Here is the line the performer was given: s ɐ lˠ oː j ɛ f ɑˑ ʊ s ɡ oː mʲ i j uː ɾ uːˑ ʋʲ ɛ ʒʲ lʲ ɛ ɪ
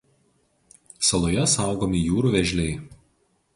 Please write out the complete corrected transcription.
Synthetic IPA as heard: s ɐ lˠ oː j ɛ s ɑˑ ʊ ɡ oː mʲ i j uː ɾ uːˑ ʋʲ ɛ ʒʲ lʲ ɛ ɪ